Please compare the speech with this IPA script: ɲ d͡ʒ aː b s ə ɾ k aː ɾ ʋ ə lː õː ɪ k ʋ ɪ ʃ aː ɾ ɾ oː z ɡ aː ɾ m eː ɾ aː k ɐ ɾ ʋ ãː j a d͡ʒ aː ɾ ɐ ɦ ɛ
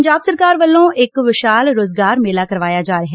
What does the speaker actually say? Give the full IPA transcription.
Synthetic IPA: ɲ d͡ʒ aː b s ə ɾ k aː ɾ ʋ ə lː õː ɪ k ʋ ɪ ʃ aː l ɾ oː z ɡ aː ɾ m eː l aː k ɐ ɾ ʋ aː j a d͡ʒ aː ɾ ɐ ɦ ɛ